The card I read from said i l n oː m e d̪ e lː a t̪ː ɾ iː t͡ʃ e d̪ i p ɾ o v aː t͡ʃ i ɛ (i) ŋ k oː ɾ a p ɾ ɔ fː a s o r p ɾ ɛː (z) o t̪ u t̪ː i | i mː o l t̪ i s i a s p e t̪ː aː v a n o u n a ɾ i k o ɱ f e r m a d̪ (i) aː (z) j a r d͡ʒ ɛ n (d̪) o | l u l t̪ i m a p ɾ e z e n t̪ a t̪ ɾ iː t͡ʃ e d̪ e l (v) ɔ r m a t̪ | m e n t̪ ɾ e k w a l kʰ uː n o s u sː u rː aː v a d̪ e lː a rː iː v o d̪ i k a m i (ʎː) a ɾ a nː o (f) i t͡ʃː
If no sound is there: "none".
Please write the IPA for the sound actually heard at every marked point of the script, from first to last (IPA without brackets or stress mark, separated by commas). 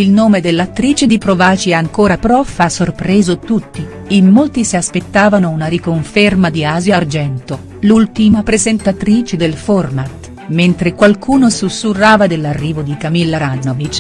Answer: a, z, i, z, t̪, f, lː, v